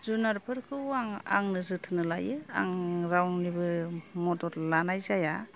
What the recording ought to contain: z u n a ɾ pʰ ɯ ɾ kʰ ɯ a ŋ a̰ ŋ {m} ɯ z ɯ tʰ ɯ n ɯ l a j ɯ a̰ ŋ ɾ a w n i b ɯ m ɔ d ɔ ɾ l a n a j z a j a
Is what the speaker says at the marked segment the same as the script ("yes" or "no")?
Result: no